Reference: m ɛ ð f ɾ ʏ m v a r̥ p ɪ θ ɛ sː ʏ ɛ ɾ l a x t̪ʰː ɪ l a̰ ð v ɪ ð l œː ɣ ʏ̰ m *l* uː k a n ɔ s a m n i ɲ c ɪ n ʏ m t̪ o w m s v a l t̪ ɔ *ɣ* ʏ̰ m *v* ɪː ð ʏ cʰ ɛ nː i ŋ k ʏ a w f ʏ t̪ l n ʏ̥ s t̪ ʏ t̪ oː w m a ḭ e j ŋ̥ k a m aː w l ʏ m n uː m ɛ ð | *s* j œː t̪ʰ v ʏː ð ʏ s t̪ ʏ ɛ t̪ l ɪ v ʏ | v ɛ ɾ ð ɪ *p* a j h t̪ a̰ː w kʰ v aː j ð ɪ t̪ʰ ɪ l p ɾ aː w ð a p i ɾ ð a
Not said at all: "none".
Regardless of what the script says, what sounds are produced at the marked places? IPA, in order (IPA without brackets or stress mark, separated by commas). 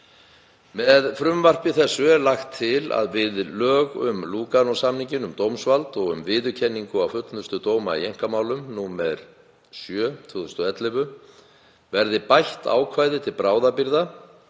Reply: l, ɣ, v, s, p